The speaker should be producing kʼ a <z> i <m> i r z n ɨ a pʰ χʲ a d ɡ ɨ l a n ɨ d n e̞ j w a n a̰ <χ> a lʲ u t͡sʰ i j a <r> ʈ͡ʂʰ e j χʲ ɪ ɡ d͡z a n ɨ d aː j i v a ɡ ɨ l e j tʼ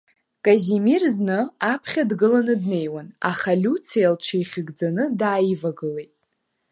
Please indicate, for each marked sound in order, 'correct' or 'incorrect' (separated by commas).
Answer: correct, correct, correct, incorrect